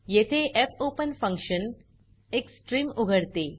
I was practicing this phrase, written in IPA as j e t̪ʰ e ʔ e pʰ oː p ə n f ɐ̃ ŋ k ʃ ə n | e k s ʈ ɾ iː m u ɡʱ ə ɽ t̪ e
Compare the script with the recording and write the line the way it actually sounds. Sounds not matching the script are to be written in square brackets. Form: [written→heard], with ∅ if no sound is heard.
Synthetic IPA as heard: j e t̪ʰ e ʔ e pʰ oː p ə n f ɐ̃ ŋ k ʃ ə n | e k s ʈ ɾ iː m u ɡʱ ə ɽ t̪ e